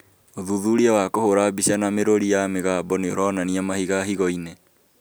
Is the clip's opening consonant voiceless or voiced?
voiced